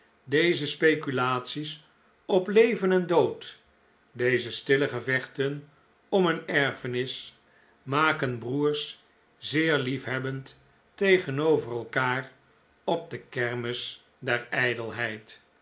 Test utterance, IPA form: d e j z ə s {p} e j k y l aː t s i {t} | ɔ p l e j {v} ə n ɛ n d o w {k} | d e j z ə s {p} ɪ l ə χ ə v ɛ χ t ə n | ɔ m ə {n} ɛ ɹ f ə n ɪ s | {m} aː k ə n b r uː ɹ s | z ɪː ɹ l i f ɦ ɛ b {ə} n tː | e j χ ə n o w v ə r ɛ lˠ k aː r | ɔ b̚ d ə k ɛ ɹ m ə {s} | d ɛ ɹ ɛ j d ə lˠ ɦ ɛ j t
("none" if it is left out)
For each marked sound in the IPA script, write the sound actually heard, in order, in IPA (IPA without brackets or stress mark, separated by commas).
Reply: p, s, v, t, t, n, m, ə, s